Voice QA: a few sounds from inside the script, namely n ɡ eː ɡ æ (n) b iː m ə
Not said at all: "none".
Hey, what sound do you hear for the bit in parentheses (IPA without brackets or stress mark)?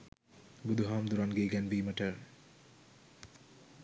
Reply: n